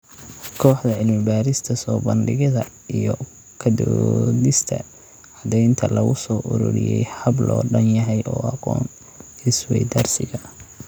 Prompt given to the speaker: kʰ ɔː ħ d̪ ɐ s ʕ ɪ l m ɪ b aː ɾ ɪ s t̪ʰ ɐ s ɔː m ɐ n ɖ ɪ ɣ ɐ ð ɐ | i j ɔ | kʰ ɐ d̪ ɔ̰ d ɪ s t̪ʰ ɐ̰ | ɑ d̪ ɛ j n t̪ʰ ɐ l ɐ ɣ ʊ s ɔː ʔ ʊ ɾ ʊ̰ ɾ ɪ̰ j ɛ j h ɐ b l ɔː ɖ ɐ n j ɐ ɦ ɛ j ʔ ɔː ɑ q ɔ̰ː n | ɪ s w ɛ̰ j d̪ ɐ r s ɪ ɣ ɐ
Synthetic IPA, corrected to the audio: kʰ ɔː ħ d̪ ɐ ʕ ɪ l m ɪ b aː ɾ ɪ s t̪ʰ ɐ s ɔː b ɐ n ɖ ɪ ɣ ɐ ð ɐ | i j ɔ | kʰ ɐ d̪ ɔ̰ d ɪ s t̪ʰ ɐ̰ | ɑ d̪ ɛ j n t̪ʰ ɐ l ɐ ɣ ʊ s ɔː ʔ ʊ ɾ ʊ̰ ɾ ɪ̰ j ɛ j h ɐ b l ɔː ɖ ɐ n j ɐ ɦ ɛ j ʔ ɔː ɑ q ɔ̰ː n | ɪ s w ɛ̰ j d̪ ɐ r s ɪ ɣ ɐ